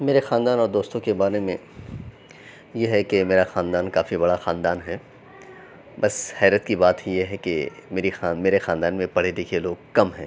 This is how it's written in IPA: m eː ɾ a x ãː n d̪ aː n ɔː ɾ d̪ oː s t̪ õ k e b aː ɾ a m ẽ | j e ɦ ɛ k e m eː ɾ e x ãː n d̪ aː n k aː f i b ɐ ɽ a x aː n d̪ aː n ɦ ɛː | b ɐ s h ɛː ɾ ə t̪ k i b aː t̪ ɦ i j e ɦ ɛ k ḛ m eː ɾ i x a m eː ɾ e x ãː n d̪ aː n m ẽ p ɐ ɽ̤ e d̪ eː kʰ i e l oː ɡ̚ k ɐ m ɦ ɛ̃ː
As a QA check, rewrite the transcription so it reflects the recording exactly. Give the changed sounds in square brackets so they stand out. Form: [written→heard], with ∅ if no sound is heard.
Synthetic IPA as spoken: m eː ɾ [a→e] x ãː n d̪ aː n ɔː ɾ d̪ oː s t̪ õ k e b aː ɾ [a→e] m ẽ | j e ɦ ɛ k e m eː ɾ [e→a] x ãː n d̪ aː n k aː f i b ɐ ɽ a x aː n d̪ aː n ɦ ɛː | b ɐ s h ɛː ɾ ə t̪ k i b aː t̪ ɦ i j e ɦ ɛ k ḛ m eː ɾ i x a m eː ɾ e x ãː n d̪ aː n m ẽ p ɐ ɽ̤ e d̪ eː kʰ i e l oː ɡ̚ k ɐ m ɦ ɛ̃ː